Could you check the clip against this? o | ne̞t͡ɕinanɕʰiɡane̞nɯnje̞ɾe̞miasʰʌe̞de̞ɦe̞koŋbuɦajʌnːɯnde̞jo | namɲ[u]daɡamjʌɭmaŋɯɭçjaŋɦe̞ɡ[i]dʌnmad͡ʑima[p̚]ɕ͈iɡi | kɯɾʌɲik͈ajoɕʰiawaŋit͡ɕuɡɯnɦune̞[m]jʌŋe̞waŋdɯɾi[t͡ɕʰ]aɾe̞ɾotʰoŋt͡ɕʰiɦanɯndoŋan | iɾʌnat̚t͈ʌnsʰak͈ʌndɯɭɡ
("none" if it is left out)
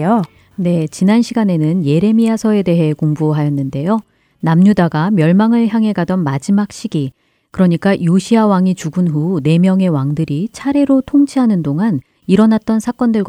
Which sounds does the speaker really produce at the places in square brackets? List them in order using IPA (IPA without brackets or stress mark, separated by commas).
u, a, k̚, m, t͡ɕʰ